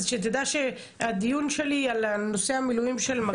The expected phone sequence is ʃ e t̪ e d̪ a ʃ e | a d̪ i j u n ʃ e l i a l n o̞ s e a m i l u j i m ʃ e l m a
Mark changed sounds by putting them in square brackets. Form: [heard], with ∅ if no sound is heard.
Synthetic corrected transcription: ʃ e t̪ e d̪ a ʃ e | a d̪ i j u n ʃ e l i a l n o̞ s e a m i l u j i m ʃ e l m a